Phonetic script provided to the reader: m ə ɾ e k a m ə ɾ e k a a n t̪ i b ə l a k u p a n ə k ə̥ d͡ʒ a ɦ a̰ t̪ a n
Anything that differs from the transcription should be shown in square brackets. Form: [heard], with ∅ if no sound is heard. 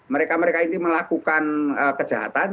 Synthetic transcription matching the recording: m ə ɾ e k a m ə ɾ e k a [i] n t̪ i [m] ə l a k u [k] a n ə k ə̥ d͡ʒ a ɦ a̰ t̪ a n

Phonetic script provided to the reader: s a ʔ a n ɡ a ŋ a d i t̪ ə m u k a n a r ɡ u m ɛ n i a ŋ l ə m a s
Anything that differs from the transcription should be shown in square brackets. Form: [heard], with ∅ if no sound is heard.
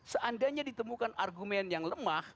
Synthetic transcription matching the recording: s [ə] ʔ a n [d] a [ɲ] a d i t̪ ə m u k a n a r ɡ u m ɛ n [j] a ŋ l ə m a [h]

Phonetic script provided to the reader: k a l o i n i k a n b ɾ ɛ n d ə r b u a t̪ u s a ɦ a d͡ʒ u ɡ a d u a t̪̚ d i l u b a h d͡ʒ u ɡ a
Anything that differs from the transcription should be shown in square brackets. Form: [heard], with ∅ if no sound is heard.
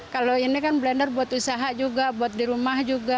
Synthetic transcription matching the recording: k a l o i n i k a n b [l] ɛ n d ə r b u a t̪ u s a ɦ a d͡ʒ u ɡ a [b] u a t̪̚ d i [ɾ] u [m] a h d͡ʒ u ɡ a

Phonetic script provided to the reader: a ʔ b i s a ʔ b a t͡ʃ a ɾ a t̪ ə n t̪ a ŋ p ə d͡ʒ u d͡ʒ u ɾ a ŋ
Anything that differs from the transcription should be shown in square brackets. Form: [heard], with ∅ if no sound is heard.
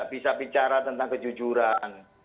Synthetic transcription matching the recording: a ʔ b i s a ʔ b [i] t͡ʃ a ɾ a t̪ ə n t̪ a ŋ [k] ə d͡ʒ u d͡ʒ u ɾ a [n]

